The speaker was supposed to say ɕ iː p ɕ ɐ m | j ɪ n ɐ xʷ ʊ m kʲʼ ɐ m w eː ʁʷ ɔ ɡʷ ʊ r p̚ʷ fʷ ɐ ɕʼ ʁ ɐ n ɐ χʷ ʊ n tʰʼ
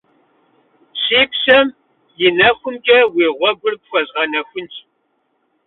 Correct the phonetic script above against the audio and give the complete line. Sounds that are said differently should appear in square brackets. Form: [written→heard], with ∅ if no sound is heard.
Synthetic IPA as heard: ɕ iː p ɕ ɐ m | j ɪ n ɐ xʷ ʊ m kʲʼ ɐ [m→∅] w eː ʁʷ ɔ ɡʷ ʊ r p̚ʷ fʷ ɐ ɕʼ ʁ ɐ n ɐ [χʷ→xʷ] ʊ n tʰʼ